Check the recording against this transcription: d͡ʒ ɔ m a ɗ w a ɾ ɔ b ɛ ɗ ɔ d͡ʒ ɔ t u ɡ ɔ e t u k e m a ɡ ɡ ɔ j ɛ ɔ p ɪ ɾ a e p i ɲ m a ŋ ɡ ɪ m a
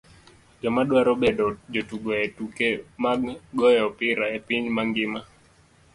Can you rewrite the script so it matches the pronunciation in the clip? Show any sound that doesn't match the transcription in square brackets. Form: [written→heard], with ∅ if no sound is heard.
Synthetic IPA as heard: d͡ʒ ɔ m a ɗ w a ɾ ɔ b ɛ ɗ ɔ d͡ʒ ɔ t u ɡ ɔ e t u k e m a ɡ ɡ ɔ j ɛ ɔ p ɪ ɾ a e p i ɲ m a ŋ ɡ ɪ m a